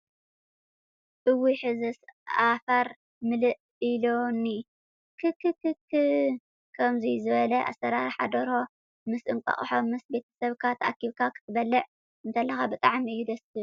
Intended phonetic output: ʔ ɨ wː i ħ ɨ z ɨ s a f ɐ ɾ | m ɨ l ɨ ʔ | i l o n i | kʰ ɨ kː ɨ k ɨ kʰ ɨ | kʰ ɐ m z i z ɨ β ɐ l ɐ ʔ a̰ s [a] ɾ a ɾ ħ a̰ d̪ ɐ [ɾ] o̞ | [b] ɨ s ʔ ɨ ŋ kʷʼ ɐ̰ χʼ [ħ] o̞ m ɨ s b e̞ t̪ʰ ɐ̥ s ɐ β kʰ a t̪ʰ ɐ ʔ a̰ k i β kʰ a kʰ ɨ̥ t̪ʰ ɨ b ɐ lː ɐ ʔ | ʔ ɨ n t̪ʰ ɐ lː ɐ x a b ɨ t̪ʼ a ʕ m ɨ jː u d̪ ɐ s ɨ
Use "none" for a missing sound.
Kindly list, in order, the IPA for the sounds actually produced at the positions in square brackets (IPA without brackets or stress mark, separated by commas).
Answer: ɐ, ɾ, m, ħ